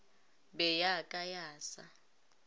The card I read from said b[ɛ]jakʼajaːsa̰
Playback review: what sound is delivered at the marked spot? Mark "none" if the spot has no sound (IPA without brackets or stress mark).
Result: ɛ